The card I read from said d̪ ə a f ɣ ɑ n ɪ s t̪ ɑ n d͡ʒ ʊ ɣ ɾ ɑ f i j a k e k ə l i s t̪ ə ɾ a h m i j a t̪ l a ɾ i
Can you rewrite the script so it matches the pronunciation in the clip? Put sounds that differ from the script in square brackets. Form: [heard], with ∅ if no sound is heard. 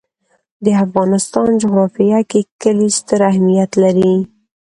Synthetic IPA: d̪ ə a f ɣ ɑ n ɪ s t̪ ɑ n d͡ʒ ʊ ɣ ɾ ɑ f i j a k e k ə l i s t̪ ə ɾ a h m i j a t̪ l a ɾ i